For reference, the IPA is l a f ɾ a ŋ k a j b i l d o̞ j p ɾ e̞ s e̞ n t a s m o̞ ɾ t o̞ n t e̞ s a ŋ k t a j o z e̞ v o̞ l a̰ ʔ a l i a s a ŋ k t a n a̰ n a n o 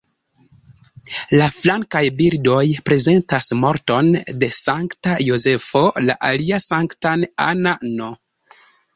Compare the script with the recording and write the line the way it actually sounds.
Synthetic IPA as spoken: l a f l a ŋ k a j b i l d o̞ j p ɾ e̞ z e̞ n t a s m o̞ ɾ t o̞ n d e̞ s a ŋ k t a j o z e̞ f o̞ l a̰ ʔ a l i a s a ŋ k t a n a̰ n a n o